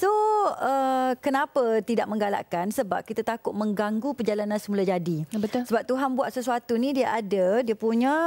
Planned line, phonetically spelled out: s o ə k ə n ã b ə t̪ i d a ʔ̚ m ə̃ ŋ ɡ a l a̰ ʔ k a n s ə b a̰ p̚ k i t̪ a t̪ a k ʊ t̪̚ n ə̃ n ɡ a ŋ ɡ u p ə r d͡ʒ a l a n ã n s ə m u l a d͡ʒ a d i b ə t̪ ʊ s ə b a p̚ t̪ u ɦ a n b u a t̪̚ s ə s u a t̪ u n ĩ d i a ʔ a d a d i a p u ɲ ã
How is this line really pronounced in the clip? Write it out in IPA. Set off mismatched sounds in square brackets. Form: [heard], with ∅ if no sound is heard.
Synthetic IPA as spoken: s o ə k ə n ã [p] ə t̪ i d a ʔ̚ m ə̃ ŋ ɡ a l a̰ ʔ k a n s ə b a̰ p̚ k i t̪ a t̪ a k ʊ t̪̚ [m] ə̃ [ŋ] ɡ a ŋ ɡ u p ə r d͡ʒ a l a n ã n s ə m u l a d͡ʒ a d i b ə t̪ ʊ s ə b a p̚ t̪ u ɦ a n b u a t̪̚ s ə s u a t̪ u n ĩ d i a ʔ a d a d i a p u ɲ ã